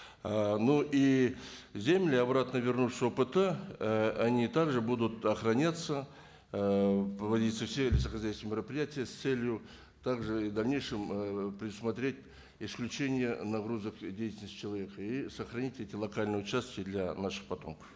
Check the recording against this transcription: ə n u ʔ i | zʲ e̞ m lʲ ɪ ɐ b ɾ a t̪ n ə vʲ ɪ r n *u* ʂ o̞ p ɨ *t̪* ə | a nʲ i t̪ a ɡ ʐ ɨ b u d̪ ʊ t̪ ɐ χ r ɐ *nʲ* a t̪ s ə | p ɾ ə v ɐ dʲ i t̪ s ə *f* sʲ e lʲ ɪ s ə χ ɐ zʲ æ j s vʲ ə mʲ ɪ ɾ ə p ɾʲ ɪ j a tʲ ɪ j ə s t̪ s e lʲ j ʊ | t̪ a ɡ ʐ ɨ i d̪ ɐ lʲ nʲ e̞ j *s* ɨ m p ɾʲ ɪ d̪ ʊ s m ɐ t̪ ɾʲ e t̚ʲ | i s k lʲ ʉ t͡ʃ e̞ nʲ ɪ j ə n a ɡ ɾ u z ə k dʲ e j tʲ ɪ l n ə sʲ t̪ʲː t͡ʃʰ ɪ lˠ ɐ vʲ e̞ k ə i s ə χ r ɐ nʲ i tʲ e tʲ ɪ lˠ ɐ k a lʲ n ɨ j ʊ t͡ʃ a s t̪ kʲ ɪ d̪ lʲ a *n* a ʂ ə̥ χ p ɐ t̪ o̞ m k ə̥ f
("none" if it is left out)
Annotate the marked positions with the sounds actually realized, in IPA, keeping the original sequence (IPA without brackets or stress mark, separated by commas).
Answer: u, t̪, nʲ, f, ʂ, n